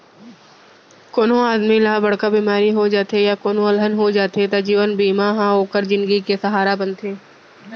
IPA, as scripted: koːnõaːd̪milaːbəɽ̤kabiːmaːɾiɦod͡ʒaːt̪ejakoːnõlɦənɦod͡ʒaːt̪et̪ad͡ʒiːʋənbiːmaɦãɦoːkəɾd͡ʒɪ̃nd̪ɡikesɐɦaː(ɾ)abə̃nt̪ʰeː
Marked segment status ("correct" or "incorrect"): correct